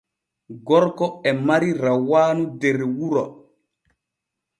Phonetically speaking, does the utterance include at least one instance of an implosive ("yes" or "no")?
no